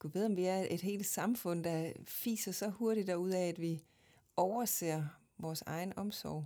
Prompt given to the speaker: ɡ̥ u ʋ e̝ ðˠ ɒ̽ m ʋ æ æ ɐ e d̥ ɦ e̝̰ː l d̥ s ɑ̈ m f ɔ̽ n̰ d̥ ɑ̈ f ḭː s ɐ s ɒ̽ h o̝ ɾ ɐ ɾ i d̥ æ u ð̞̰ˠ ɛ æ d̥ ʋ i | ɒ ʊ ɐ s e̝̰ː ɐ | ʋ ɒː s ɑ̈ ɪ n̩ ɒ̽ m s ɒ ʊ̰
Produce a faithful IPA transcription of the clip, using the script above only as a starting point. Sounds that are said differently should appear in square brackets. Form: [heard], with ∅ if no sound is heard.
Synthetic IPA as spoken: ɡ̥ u ʋ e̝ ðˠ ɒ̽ m ʋ [i] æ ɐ e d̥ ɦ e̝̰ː l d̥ s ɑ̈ m f ɔ̽ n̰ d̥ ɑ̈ f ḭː s ɐ s ɒ̽ h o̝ [∅] ɐ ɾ i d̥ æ u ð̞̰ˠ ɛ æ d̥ ʋ i | ɒ ʊ ɐ s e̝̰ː ɐ | ʋ ɒː s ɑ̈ ɪ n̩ ɒ̽ m s ɒ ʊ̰